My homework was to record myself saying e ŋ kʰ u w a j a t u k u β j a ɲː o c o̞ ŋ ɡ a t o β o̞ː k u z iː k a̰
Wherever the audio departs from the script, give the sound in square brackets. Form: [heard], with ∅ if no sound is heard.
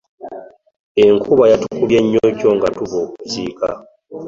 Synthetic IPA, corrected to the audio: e ŋ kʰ u [β] a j a t u k u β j [e] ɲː o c o̞ ŋ ɡ a t [u] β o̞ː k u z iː k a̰